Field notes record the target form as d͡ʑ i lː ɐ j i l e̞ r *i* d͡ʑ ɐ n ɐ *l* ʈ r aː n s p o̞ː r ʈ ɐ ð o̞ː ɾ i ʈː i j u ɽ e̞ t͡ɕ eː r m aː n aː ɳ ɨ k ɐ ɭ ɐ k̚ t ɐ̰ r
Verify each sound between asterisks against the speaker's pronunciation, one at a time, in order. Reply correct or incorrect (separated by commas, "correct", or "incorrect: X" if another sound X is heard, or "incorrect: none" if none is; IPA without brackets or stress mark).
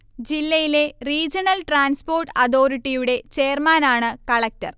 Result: incorrect: iː, correct